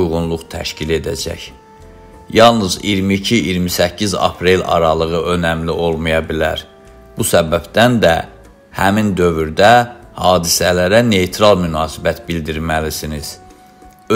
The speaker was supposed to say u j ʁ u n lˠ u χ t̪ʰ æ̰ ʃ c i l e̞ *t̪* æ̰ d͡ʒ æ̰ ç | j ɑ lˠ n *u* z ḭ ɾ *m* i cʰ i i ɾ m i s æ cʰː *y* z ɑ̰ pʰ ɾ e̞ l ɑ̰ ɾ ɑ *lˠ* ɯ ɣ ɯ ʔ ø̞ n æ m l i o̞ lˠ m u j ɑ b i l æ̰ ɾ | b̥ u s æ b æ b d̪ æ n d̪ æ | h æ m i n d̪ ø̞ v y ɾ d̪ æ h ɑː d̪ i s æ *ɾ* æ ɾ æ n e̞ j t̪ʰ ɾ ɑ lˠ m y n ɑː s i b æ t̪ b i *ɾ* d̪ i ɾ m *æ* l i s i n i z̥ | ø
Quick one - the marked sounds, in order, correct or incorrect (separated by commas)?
incorrect, incorrect, correct, incorrect, correct, incorrect, incorrect, correct